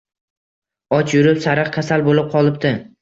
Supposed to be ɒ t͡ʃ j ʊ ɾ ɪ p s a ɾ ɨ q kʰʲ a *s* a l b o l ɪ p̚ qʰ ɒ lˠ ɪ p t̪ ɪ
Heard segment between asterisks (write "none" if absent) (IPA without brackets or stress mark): s